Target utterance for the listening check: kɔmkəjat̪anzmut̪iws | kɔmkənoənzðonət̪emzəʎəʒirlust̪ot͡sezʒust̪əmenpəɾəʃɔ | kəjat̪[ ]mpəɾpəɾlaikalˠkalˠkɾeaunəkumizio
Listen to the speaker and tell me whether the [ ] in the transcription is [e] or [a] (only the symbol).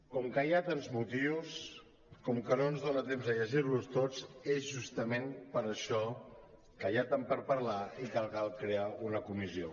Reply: a